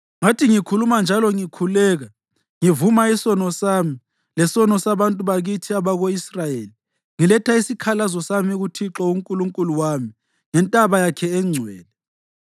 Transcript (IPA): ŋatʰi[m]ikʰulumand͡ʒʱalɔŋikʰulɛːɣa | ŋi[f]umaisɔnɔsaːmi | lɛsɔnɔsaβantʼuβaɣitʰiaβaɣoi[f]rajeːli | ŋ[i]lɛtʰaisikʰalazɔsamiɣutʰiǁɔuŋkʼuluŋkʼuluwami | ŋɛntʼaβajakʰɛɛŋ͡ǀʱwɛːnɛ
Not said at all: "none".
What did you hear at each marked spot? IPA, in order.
ŋ, v, s, i

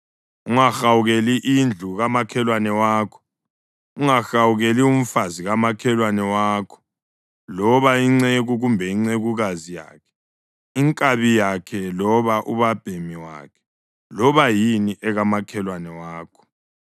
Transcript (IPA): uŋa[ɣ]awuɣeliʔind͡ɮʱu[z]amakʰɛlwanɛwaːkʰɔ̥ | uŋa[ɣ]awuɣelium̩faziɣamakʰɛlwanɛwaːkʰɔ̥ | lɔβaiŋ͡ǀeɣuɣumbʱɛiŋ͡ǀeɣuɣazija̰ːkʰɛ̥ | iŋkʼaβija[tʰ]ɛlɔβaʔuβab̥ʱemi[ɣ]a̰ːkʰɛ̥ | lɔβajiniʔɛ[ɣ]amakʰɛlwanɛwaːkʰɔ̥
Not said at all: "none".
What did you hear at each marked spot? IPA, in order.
x, ɣ, x, kʰ, w, ɣ

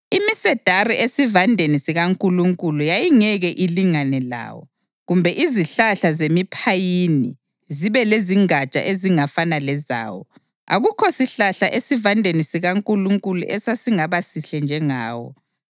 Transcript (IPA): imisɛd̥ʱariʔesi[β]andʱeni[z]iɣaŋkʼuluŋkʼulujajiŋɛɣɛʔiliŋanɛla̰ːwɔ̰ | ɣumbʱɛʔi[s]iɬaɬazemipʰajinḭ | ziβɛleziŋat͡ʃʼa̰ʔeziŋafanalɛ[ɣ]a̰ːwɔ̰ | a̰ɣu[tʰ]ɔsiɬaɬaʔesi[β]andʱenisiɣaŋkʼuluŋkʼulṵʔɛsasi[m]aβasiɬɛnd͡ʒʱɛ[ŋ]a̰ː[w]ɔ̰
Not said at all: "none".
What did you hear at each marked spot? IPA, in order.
v, s, z, z, kʰ, v, ŋ, ŋ, w

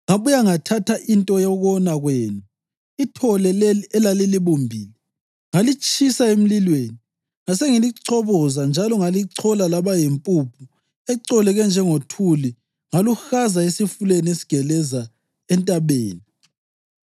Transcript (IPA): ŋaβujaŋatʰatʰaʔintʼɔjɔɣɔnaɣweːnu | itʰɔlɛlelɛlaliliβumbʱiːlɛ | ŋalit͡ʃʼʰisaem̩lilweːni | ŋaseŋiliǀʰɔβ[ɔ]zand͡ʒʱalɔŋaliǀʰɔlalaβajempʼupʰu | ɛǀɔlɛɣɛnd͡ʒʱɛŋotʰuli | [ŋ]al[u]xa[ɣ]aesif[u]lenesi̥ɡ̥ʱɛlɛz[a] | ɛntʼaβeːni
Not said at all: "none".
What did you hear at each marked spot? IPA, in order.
ɔ, ŋ, u, z, u, a

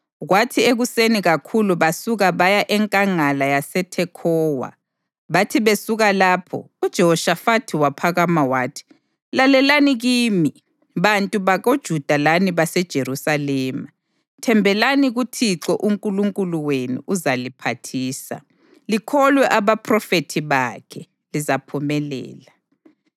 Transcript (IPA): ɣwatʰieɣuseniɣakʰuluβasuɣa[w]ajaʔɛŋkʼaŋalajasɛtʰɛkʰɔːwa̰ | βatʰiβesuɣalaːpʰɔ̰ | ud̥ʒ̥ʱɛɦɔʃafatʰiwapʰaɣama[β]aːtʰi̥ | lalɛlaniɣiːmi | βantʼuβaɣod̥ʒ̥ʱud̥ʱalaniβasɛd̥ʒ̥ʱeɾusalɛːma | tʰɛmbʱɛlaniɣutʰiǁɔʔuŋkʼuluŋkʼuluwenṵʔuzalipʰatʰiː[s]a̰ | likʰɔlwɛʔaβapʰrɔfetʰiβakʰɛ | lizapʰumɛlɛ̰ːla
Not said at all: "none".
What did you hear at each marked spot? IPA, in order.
β, w, s

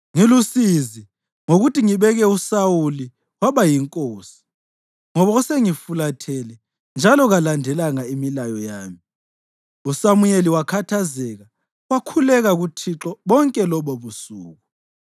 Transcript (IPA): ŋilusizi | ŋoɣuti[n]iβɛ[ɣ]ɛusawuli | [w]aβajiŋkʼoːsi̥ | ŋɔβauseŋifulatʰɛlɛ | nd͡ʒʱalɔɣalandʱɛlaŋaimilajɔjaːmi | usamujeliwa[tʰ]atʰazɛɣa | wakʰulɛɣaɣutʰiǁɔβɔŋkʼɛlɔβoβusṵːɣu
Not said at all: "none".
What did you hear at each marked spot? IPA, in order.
ŋ, ɣ, w, kʰ

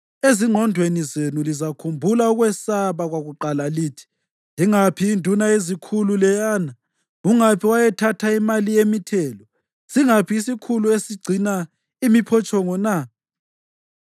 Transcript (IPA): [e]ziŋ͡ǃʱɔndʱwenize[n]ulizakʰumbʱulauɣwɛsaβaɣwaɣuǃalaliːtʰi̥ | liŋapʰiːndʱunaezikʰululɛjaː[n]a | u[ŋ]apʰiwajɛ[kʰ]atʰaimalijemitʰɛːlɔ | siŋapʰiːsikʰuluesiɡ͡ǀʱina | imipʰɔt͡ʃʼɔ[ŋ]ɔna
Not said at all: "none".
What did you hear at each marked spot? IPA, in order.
e, n, n, ŋ, tʰ, ŋ

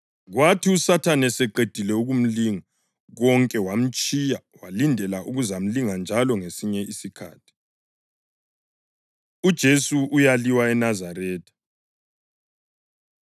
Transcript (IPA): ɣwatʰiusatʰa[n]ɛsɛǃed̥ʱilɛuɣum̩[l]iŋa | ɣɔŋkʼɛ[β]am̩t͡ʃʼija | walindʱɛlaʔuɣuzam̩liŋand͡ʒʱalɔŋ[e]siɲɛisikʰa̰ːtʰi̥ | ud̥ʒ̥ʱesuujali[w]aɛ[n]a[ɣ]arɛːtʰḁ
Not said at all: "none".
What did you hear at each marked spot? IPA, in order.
n, l, w, e, w, n, z

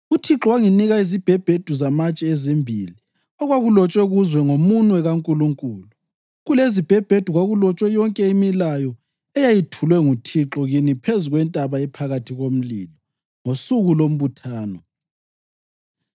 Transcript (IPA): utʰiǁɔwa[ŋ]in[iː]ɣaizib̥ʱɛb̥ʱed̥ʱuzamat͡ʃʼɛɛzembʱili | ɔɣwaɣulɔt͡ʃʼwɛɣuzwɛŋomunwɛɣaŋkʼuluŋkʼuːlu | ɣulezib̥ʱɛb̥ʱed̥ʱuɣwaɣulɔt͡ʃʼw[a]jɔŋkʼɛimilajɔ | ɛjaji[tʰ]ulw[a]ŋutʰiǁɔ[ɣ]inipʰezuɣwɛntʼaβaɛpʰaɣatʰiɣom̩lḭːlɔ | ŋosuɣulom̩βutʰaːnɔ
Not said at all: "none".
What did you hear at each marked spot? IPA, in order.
ŋ, i, ɛ, tʰ, ɛ, ɣ

